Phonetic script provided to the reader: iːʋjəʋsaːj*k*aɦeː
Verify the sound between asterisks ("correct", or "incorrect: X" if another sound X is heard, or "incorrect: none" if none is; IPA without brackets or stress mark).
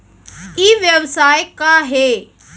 correct